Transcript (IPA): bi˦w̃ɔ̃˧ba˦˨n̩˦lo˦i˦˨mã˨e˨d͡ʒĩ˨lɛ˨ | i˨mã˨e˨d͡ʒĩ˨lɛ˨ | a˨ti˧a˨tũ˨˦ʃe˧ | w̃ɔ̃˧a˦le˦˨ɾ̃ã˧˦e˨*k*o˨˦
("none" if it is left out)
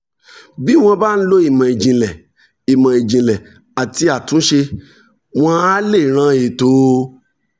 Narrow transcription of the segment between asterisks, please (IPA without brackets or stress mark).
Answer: t